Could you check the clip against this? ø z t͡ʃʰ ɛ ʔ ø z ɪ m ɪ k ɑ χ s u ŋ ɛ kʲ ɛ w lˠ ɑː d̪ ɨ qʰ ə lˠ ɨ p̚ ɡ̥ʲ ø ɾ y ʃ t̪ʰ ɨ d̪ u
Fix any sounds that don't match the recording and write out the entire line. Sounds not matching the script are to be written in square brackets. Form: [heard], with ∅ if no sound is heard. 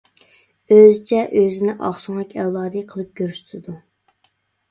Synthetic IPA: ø z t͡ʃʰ ɛ ʔ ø z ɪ [n] ɪ [ʔ] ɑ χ s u ŋ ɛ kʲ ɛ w lˠ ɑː d̪ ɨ qʰ ə lˠ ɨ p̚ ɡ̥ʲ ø ɾ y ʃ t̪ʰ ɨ d̪ u